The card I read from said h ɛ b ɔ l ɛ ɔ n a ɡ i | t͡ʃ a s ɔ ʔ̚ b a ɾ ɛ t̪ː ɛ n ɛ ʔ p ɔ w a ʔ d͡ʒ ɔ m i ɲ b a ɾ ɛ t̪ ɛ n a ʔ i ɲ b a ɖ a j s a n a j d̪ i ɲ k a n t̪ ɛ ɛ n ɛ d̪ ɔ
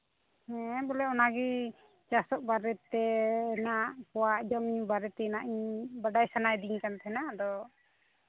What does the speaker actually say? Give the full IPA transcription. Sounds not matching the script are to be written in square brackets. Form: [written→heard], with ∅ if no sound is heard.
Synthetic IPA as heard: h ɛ b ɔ l ɛ ɔ n a ɡ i | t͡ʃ a s ɔ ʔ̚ b a ɾ ɛ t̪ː ɛ n [ɛ→a] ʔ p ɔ w a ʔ d͡ʒ ɔ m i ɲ b a ɾ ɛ t̪ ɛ n a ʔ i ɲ b a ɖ a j s a n a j d̪ i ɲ k a n t̪ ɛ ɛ n [ɛ→a] d̪ ɔ